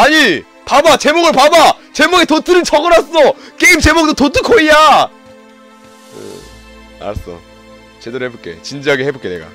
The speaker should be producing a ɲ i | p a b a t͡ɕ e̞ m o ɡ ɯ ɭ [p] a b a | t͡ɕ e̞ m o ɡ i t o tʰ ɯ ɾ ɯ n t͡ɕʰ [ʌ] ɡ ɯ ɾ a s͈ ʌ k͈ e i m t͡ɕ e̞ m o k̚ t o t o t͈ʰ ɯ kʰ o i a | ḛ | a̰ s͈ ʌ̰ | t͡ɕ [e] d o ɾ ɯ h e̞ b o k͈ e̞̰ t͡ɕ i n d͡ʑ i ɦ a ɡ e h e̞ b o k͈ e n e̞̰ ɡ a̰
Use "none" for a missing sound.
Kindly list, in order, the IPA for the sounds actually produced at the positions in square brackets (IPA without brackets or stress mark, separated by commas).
p, ʌ, e